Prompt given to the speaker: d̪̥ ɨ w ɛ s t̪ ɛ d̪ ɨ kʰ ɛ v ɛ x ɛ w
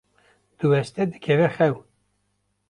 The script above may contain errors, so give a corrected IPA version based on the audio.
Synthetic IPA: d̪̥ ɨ w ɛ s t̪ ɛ d̪ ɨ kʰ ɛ v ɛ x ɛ w